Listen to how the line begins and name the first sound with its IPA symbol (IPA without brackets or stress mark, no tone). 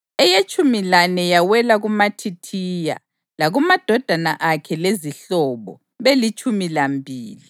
ɛ